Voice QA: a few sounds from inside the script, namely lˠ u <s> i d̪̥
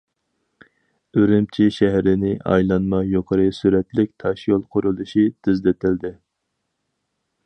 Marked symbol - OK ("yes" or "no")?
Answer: no